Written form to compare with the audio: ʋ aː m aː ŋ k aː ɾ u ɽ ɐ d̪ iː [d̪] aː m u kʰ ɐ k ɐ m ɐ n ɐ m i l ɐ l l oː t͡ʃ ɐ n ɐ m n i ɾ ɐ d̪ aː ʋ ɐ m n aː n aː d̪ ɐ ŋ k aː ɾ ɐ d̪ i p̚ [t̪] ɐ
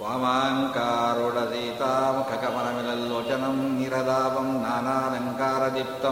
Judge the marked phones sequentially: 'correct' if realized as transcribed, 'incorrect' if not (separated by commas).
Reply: incorrect, correct